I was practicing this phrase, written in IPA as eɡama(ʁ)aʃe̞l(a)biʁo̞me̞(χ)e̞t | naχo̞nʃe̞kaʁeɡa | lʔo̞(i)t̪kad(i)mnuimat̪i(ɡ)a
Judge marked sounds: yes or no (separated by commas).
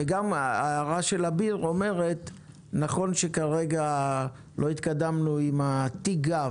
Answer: yes, yes, no, yes, no, yes